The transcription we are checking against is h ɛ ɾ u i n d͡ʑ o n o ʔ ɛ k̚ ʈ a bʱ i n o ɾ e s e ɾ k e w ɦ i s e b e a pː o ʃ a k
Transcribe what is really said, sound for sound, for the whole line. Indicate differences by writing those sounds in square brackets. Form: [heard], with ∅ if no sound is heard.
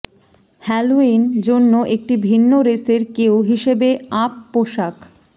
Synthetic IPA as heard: h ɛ [l] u i n d͡ʑ o [nː] o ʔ [e] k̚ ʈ [i] bʱ i [nː] o ɾ e s e ɾ k e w ɦ i [ʃ] e b e a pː o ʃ a k